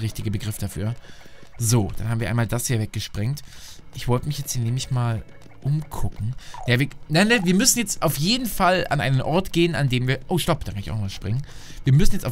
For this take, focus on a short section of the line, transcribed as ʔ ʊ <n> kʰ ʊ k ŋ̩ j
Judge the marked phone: incorrect: m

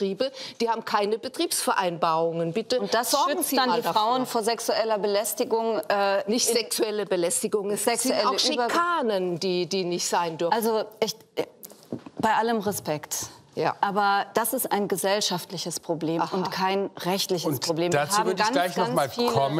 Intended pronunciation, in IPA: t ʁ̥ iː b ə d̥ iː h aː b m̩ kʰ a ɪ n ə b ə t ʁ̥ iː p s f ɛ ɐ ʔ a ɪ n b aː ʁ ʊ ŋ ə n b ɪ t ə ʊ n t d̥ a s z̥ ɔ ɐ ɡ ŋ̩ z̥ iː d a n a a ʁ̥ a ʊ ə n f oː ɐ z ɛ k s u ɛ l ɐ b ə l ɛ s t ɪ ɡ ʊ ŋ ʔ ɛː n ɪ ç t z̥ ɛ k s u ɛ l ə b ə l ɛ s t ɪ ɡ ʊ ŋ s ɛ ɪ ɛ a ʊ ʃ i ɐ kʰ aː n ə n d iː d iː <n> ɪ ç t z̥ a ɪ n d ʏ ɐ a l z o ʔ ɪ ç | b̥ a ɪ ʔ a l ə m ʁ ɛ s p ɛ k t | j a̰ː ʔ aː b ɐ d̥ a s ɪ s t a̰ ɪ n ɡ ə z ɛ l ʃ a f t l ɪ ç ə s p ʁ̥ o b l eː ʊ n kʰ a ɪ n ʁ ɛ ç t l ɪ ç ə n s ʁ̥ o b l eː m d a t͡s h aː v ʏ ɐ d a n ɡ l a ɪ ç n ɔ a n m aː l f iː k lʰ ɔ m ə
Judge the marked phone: correct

